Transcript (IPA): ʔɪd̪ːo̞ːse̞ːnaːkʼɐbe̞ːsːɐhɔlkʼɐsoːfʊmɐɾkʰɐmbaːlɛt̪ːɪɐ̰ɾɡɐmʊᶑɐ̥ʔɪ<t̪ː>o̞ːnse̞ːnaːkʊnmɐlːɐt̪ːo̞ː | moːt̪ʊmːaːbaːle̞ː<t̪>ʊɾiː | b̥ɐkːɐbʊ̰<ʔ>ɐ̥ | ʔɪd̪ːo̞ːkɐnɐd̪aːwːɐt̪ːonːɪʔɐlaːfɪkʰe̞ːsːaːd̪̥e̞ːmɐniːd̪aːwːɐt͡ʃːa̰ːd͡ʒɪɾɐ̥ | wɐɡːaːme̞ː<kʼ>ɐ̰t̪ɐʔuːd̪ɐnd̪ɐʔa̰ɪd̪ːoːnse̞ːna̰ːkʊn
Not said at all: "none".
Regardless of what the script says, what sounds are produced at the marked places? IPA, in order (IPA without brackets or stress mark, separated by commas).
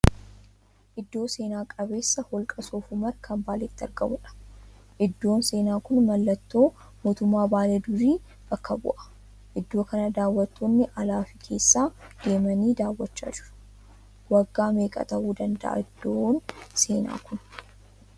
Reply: d̪ː, d̪, ʔ, kʼ